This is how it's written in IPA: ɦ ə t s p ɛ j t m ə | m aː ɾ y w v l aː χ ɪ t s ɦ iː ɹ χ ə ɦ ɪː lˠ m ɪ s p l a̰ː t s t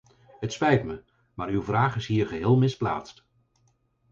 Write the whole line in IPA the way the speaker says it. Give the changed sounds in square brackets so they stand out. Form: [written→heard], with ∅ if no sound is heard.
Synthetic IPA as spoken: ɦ ə t s p ɛ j t m ə | m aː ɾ y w v [l→r] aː χ ɪ [t→∅] s ɦ iː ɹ χ ə ɦ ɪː lˠ m ɪ s p l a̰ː t s t